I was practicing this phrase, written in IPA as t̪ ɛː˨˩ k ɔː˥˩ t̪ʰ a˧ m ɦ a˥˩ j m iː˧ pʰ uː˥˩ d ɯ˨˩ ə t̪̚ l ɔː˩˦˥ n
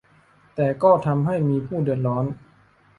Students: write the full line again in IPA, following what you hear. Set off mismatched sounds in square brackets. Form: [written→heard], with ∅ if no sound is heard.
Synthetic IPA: t̪ ɛː˨˩ k ɔː˥˩ t̪ʰ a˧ m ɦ a˥˩ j m iː˧ pʰ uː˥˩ d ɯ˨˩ ə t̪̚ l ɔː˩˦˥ n